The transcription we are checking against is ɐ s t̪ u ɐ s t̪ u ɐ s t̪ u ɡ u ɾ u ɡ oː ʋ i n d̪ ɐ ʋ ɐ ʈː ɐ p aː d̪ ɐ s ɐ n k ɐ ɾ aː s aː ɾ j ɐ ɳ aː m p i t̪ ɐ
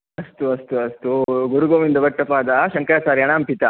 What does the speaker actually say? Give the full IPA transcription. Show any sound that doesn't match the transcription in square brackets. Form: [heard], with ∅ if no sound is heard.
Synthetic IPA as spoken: ɐ s t̪ u ɐ s t̪ u ɐ s t̪ u ɡ u ɾ u ɡ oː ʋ i n d̪ ɐ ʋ ɐ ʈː ɐ p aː d̪ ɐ [ʃ] ɐ [ŋ] k ɐ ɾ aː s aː ɾ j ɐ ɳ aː m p i t̪ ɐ